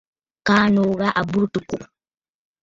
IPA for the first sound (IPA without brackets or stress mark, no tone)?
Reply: k